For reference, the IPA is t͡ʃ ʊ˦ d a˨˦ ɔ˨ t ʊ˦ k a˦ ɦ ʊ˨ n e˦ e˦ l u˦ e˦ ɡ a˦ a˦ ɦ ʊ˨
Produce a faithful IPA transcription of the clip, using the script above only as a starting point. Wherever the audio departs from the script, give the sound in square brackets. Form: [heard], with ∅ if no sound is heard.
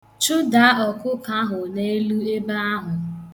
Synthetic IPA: t͡ʃ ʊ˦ d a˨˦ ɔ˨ [k] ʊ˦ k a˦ ɦ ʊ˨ n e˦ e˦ l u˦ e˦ [b] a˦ a˦ ɦ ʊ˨